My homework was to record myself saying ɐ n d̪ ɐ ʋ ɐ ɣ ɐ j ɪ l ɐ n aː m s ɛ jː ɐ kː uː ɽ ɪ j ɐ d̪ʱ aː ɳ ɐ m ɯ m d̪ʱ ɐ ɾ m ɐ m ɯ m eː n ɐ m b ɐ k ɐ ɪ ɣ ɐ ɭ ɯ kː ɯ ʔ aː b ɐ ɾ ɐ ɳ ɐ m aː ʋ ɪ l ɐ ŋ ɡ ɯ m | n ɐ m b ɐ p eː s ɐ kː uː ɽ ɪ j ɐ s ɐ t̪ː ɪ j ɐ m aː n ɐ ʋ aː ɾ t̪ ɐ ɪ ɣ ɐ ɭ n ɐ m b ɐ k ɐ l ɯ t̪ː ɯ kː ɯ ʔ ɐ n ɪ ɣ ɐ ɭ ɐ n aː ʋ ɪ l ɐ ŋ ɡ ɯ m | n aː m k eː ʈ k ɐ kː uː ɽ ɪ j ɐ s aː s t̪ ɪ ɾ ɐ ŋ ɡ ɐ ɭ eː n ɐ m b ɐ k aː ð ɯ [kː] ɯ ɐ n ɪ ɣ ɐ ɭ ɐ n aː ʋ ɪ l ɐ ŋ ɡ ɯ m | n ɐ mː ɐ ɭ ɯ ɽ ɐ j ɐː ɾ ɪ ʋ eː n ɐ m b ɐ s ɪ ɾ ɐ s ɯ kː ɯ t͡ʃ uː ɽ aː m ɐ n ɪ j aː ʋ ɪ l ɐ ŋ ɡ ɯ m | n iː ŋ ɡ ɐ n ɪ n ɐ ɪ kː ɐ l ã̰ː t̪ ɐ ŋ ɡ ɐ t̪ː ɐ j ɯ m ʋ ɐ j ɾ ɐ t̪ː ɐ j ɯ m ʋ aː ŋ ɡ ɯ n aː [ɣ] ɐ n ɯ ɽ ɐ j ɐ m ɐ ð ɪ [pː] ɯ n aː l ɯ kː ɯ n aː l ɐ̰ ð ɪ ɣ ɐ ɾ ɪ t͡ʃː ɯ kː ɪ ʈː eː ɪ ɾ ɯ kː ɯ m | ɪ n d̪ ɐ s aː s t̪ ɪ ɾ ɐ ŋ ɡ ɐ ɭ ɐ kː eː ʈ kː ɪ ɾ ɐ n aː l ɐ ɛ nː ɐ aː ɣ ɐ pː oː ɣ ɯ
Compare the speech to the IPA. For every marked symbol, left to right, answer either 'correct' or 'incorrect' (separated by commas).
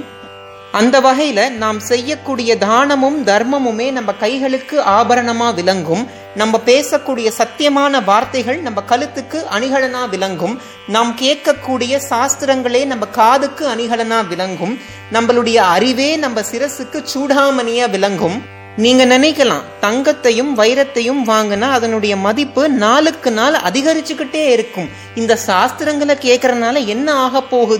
correct, incorrect, correct